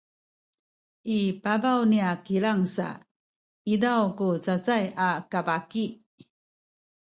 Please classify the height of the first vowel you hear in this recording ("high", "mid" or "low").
high